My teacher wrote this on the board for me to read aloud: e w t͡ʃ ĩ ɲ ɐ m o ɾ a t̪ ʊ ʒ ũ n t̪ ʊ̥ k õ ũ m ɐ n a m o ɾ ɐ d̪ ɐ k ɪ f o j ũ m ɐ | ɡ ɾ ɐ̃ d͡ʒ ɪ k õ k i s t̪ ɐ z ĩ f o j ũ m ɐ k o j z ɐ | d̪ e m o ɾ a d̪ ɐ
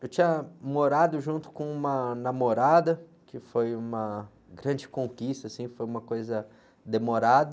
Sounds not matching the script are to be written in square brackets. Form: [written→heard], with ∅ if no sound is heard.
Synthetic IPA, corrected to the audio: e w t͡ʃ ĩ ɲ ɐ m o ɾ a [t̪→d̪] ʊ ʒ ũ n t̪ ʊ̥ k õ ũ m ɐ n a m o ɾ [ɐ→a] d̪ ɐ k ɪ f o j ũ m ɐ | ɡ ɾ ɐ̃ d͡ʒ ɪ k õ k i s t̪ ɐ [z→s] ĩ f o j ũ m ɐ k o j z ɐ | d̪ e m o ɾ a d̪ ɐ